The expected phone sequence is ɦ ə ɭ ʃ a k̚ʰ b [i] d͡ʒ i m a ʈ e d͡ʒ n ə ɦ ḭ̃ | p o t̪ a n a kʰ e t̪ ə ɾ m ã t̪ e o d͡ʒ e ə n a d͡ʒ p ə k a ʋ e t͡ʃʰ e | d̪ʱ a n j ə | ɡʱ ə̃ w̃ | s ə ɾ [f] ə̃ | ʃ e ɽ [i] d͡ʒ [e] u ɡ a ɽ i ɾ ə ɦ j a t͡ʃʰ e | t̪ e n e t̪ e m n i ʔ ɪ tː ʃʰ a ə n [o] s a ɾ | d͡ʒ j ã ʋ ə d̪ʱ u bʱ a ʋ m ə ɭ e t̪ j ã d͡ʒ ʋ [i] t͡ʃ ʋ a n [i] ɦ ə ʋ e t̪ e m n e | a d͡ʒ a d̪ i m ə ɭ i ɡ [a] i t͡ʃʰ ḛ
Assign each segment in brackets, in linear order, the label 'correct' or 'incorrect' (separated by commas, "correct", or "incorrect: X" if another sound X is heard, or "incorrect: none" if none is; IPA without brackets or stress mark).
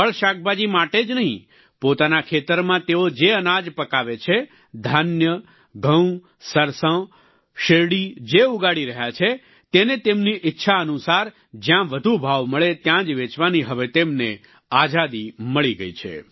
incorrect: a, incorrect: s, correct, correct, incorrect: u, incorrect: e, correct, incorrect: ə